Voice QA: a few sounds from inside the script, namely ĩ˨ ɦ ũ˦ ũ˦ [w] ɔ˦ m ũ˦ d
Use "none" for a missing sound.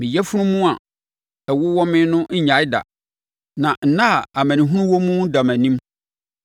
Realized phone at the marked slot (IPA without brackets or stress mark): w